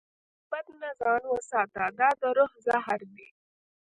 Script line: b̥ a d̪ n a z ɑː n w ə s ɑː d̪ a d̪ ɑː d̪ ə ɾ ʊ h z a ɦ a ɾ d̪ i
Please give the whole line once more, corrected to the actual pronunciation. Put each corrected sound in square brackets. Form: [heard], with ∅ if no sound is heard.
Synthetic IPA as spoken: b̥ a d̪ n a z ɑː n w ə s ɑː [t̪] a d̪ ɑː d̪ ə ɾ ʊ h z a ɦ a ɾ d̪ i